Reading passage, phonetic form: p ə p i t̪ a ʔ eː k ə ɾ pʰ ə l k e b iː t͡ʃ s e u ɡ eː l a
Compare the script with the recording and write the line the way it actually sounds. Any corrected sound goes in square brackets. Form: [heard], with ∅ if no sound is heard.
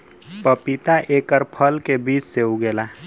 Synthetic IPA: p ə p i t̪ a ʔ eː k ə ɾ pʰ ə l k e b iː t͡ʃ s e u ɡ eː l a